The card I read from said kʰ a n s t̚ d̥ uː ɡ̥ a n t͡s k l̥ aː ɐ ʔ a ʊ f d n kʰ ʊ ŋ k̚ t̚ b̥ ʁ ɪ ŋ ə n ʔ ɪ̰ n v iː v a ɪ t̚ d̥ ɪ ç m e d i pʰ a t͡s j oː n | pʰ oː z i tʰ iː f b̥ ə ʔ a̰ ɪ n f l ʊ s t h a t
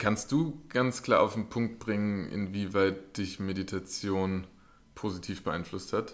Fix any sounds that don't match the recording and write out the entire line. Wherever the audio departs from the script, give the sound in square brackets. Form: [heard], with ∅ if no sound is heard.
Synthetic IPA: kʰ a n s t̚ d̥ uː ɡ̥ a n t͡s k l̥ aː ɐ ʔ a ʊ f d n [pʰ] ʊ ŋ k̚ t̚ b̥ ʁ ɪ ŋ ə n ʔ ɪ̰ n v iː v a ɪ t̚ d̥ ɪ ç m e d i [tʰ] a t͡s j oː n | pʰ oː z i tʰ iː f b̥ ə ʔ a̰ ɪ n f l ʊ s t h a t